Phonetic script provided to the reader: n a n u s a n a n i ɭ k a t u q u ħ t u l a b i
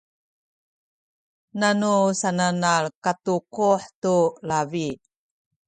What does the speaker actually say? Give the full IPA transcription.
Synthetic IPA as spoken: n a n u s a n a n a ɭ k a t u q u ħ t u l a v i